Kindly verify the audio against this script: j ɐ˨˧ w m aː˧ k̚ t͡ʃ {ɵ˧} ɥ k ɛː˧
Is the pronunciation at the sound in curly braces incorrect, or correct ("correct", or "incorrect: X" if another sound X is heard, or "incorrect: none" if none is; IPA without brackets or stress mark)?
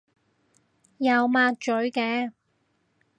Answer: incorrect: ɵ˨˥